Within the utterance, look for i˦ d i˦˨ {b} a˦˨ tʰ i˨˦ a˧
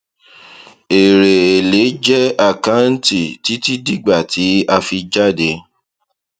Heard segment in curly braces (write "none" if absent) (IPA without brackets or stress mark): ɡ͡b